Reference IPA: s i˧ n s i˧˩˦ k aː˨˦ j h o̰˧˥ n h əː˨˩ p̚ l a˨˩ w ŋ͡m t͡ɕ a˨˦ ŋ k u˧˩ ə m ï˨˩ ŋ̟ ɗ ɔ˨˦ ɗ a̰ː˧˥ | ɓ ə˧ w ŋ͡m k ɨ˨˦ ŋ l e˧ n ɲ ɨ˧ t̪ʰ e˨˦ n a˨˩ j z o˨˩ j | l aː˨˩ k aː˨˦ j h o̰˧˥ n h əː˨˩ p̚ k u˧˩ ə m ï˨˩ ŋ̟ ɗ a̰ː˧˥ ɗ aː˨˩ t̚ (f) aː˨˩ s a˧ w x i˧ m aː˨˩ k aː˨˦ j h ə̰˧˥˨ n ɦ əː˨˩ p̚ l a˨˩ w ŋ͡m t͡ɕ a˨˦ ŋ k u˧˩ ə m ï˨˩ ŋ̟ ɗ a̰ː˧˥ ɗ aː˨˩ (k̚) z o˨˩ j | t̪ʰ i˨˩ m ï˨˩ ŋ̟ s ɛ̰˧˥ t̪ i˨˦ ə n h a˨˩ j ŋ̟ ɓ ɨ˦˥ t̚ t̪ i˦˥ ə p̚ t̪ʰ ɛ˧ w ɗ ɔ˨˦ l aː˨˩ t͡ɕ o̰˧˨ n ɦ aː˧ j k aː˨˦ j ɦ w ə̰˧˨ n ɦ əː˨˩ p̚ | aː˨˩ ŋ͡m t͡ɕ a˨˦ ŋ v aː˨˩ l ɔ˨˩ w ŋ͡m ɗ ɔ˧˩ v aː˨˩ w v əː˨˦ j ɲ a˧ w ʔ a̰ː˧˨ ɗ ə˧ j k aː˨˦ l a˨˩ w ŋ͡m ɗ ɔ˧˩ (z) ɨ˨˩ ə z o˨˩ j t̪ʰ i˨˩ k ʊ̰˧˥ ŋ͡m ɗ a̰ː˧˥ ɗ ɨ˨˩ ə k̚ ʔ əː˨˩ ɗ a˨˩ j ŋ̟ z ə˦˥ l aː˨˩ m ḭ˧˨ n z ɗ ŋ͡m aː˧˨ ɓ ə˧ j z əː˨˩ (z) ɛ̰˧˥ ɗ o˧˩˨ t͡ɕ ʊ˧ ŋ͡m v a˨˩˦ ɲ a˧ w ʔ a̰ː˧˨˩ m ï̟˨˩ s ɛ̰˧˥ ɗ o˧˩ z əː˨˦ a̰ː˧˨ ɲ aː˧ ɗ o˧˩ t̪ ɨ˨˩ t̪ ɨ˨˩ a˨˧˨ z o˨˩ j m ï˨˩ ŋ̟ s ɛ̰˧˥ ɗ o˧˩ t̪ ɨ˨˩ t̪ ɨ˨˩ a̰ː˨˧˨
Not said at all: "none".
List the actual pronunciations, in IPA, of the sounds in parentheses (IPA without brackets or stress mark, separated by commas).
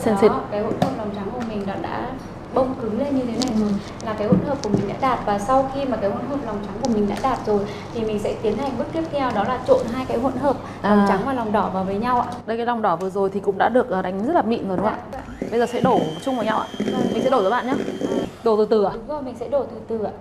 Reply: v, t̚, v, s